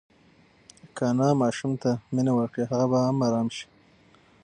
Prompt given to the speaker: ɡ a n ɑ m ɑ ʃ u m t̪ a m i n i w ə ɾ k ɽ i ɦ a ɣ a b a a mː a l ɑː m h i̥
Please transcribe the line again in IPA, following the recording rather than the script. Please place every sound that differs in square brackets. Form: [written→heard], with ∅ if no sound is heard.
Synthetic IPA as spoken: [ɡ→k] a n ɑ m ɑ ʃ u m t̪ a m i n [i→a] w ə ɾ k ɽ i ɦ a ɣ a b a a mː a [l→ɾ] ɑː m [h→ʃ] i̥